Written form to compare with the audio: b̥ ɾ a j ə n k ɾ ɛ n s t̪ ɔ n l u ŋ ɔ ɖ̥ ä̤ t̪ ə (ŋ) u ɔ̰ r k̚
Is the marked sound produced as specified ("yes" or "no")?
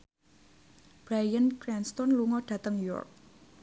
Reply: yes